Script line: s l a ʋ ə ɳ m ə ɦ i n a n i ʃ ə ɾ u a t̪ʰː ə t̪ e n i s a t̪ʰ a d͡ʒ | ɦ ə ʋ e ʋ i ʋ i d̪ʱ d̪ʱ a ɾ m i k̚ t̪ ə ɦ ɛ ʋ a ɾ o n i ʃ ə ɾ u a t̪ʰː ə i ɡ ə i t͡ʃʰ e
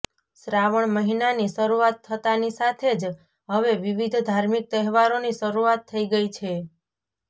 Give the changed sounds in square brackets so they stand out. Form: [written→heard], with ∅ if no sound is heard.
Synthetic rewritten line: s [l→ɾ] a ʋ ə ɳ m ə ɦ i n a n i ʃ ə ɾ u a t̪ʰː ə t̪ [e→a] n i s a t̪ʰ [a→e] d͡ʒ | ɦ ə ʋ e ʋ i ʋ i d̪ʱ d̪ʱ a ɾ m i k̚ t̪ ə ɦ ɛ ʋ a ɾ o n i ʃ ə ɾ u a t̪ʰː ə i ɡ ə i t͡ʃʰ e